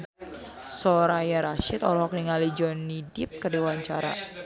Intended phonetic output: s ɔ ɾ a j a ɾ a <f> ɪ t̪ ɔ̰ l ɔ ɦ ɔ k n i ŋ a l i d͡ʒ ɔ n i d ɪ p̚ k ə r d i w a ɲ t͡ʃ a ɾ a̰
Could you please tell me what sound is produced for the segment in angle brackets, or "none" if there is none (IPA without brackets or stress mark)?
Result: ʃ